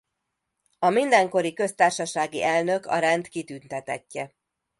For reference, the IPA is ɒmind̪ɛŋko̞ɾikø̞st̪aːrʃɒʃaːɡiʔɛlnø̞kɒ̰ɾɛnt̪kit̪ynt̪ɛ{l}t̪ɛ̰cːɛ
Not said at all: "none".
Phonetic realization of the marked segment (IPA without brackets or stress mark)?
none